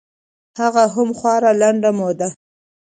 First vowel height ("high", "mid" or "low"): low